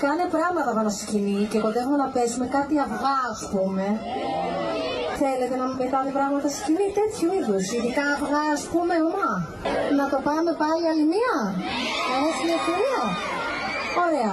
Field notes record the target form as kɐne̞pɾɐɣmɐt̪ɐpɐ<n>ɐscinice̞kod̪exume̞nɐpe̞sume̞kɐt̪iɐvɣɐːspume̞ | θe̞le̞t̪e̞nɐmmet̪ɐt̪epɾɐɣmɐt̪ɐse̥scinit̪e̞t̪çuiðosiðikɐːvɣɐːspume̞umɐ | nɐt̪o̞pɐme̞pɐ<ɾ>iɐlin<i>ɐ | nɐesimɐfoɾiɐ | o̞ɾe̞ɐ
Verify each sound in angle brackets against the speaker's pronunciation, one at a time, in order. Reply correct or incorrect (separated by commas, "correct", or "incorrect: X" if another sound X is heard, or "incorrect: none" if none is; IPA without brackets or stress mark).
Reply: correct, incorrect: l, correct